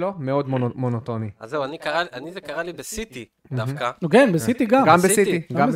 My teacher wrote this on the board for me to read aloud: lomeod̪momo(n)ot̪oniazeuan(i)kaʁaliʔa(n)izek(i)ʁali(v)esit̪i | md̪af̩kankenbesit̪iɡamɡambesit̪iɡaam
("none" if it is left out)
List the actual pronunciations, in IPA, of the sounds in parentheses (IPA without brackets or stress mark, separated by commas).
n, i, n, a, b